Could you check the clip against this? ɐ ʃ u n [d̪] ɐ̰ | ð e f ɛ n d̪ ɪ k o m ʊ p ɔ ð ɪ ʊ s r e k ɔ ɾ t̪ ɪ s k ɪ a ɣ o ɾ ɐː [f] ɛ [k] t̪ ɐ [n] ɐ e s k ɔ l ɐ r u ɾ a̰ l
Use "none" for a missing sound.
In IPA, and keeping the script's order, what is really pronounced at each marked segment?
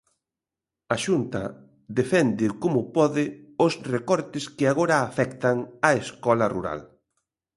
t̪, f, k, ŋ

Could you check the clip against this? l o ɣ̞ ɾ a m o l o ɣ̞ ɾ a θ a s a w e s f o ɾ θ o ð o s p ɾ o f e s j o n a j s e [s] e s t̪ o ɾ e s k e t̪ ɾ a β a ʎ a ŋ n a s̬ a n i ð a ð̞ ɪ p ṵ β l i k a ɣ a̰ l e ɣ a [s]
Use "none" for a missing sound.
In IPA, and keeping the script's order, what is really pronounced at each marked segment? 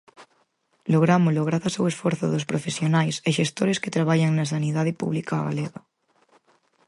ʃ, none

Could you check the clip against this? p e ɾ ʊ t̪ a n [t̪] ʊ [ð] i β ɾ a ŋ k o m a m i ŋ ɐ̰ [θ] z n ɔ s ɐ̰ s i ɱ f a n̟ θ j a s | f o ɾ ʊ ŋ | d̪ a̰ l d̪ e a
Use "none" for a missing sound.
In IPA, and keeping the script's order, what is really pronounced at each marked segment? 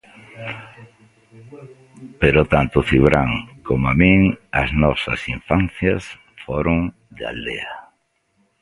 t̪, θ, none

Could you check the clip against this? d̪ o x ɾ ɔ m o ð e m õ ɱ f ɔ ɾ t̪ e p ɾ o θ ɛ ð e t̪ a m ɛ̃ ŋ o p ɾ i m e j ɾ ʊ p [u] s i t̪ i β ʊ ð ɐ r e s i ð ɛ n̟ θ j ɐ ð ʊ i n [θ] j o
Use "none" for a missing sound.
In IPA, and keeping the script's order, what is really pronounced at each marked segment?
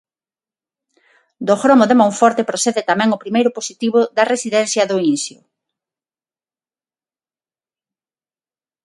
o, s

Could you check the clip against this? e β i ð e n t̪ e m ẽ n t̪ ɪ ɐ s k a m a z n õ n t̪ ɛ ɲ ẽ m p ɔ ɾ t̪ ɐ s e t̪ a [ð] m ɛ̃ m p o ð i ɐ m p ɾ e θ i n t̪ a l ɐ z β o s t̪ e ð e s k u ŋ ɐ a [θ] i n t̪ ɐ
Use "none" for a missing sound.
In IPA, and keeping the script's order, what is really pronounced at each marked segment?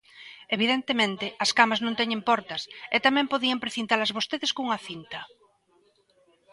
none, θ

